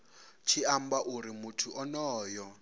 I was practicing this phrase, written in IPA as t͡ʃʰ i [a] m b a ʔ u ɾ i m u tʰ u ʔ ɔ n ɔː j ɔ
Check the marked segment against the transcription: correct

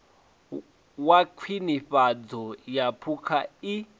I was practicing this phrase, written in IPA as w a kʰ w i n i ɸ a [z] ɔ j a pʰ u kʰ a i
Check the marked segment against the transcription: incorrect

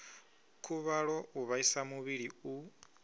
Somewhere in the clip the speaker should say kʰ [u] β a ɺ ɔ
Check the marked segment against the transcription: correct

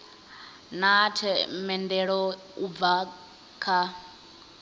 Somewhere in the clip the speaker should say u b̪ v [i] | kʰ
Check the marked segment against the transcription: incorrect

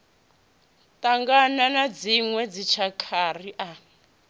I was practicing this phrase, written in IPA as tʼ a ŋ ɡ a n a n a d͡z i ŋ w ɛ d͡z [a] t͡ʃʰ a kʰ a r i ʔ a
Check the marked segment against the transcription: incorrect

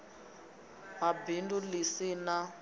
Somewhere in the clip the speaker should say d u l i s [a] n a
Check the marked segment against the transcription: incorrect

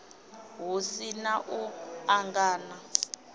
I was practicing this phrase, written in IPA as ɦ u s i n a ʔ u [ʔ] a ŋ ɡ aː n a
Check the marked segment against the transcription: incorrect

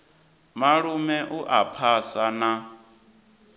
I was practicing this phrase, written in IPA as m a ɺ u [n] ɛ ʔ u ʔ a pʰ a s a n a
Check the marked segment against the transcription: incorrect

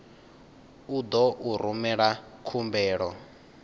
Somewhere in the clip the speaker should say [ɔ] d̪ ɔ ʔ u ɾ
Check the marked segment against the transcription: incorrect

